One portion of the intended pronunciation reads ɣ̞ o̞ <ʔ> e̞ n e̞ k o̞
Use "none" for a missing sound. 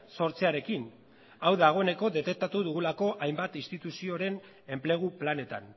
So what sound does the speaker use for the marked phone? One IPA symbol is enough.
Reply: none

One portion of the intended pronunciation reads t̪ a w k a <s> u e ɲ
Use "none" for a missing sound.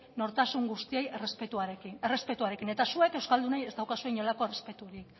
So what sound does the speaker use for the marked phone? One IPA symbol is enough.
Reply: s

